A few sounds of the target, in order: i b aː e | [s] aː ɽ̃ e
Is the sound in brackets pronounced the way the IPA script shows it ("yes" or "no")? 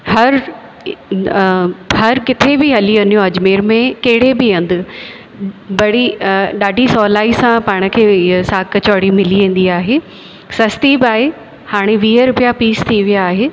no